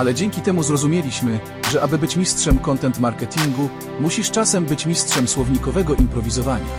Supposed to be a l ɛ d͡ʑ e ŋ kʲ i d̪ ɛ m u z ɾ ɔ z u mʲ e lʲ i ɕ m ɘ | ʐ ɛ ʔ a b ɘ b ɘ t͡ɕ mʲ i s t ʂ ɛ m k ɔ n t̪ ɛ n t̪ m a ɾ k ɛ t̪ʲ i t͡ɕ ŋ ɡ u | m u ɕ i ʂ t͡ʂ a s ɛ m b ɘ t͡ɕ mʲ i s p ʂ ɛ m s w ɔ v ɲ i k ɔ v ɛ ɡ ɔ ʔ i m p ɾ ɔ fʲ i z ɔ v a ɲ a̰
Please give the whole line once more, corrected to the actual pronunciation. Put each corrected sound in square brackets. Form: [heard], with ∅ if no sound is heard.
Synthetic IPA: a l ɛ d͡ʑ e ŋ kʲ i [t̪] ɛ m u z ɾ ɔ z u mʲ e lʲ i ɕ m ɘ | ʐ ɛ ʔ a b ɘ b ɘ t͡ɕ mʲ i s t ʂ ɛ m k ɔ n t̪ ɛ n t̪ m a ɾ k ɛ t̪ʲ i [∅] ŋ ɡ u | m u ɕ i ʂ t͡ʂ a s ɛ m b ɘ t͡ɕ mʲ i s [t] ʂ ɛ m s w ɔ v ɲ i k ɔ v ɛ ɡ ɔ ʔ i m p ɾ ɔ [vʲ] i z ɔ v a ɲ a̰